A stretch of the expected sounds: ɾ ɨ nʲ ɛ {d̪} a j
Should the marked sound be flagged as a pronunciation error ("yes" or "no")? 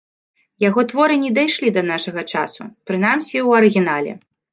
no